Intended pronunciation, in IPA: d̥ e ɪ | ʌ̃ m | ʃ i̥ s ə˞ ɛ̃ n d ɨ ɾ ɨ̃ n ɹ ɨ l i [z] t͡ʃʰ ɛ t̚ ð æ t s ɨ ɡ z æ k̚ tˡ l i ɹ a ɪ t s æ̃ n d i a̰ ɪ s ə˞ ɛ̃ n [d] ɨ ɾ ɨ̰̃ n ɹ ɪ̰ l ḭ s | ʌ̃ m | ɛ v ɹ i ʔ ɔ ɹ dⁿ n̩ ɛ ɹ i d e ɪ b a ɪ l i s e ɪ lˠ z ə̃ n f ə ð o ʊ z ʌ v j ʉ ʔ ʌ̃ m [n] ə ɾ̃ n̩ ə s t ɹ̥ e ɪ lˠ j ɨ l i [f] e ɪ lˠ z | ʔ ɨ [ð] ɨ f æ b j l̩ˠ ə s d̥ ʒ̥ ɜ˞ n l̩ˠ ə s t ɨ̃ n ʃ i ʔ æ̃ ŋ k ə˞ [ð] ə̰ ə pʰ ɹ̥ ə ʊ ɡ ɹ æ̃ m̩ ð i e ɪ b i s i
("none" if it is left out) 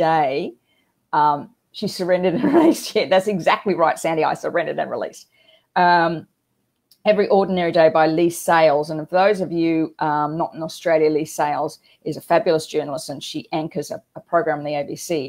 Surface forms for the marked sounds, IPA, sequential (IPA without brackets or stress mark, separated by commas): s, d, n, s, z, z